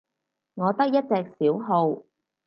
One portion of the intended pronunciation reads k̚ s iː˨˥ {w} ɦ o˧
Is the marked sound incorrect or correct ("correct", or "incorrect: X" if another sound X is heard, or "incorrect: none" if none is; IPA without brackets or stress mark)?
correct